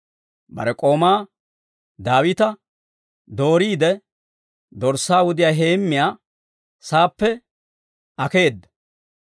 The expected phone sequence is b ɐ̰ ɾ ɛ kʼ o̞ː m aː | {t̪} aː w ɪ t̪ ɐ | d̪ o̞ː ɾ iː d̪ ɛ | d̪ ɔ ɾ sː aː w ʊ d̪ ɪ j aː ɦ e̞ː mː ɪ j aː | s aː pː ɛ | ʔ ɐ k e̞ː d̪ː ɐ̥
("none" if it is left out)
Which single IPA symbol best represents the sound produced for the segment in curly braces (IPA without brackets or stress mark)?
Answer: d̪